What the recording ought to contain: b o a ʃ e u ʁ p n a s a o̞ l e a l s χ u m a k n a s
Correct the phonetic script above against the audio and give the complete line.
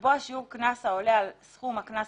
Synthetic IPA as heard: b o a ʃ i u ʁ k n a s a o̞ l e a l s χ u m a k n a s